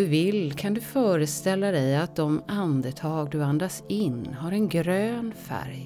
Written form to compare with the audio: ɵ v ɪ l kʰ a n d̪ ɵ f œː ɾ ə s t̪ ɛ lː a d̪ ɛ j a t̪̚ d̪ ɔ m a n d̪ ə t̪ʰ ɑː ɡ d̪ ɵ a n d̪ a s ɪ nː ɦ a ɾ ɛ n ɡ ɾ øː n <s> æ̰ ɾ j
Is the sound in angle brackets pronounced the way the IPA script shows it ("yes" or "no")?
no